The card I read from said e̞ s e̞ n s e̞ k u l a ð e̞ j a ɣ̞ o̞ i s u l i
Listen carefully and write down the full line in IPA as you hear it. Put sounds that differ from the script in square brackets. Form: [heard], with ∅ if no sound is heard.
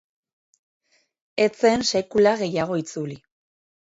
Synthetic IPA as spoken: e̞ [t͡s] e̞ n s e̞ k u l a [ɣ] e̞ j a ɣ̞ o̞ i [t͡s] u l i